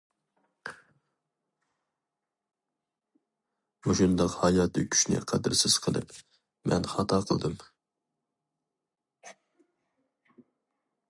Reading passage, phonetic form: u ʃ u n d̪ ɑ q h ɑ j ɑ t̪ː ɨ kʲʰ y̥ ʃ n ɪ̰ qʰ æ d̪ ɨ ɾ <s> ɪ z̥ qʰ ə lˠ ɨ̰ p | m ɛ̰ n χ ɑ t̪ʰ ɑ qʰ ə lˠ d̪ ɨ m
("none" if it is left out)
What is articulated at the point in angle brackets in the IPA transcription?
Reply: s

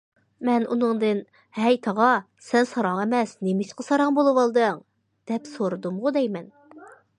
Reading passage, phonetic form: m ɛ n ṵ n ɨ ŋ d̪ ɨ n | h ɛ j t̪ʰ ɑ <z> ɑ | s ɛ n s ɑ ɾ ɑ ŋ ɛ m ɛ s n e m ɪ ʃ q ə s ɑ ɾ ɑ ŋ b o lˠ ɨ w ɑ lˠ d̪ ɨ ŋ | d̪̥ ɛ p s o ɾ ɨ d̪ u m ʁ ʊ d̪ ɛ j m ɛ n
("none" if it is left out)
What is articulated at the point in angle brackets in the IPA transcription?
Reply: ʁ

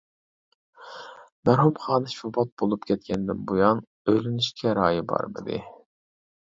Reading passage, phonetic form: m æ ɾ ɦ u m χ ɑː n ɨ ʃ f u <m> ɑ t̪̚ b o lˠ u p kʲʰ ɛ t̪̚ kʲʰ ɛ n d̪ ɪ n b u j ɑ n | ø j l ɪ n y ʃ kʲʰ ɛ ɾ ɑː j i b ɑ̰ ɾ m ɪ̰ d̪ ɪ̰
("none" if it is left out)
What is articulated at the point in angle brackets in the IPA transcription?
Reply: b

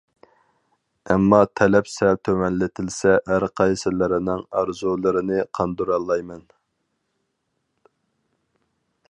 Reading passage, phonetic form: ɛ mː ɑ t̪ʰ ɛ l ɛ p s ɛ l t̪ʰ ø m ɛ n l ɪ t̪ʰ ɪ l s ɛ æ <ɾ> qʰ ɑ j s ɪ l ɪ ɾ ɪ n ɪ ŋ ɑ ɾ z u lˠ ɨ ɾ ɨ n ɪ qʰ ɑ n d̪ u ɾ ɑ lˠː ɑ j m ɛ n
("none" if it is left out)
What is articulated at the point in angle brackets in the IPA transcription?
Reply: ɾ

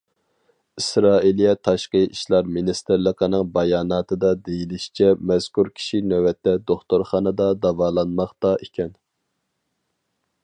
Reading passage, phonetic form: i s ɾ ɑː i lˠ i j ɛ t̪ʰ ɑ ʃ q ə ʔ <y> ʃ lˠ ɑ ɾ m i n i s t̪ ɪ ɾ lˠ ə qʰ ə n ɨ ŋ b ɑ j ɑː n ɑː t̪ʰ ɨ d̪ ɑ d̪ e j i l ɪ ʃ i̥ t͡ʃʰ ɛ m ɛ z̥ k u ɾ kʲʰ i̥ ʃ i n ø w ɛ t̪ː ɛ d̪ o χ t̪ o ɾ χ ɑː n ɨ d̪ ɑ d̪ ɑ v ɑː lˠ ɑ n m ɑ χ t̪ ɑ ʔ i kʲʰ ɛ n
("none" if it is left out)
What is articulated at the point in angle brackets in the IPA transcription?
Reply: i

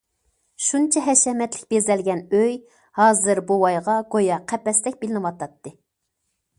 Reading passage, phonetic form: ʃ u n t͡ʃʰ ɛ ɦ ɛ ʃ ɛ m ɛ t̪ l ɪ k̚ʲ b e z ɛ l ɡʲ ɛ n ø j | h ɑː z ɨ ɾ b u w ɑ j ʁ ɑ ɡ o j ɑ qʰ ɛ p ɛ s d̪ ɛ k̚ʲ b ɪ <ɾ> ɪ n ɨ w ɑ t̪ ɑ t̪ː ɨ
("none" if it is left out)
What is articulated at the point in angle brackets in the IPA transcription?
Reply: l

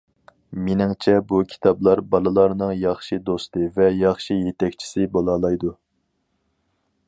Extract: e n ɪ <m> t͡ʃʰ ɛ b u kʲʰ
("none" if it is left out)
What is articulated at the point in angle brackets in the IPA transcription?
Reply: ŋ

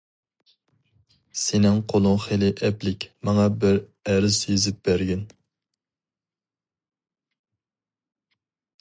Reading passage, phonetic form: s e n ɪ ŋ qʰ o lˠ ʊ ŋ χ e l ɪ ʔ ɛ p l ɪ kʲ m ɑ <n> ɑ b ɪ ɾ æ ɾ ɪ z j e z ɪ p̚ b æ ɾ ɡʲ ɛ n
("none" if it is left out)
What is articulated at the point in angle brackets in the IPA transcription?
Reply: ŋ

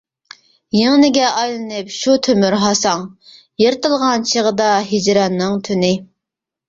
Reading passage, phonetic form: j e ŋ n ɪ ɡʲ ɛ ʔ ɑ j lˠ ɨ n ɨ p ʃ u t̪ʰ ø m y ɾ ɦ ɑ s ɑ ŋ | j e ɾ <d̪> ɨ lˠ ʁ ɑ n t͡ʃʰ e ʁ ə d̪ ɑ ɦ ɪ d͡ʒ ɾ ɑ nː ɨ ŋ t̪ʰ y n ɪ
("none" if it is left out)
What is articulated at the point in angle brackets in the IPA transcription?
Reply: t̪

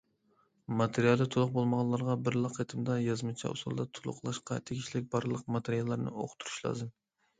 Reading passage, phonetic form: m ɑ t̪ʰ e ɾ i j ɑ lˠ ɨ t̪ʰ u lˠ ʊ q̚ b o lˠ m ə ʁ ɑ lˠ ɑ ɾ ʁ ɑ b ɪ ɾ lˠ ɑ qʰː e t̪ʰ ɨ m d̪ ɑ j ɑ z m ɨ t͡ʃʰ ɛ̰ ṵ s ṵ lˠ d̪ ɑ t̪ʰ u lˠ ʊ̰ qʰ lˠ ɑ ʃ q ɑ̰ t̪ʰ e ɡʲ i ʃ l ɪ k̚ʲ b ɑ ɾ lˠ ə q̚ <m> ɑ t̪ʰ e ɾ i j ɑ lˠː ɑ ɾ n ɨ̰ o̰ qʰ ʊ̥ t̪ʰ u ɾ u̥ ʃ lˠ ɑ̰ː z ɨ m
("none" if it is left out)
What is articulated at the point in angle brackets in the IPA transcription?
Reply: m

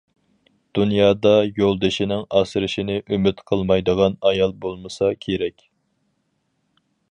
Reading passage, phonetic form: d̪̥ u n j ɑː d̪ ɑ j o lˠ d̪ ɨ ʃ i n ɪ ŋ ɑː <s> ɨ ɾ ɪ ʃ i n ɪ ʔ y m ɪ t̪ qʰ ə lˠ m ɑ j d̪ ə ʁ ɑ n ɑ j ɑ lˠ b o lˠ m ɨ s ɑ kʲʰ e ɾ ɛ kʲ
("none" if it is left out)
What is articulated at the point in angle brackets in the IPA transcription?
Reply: s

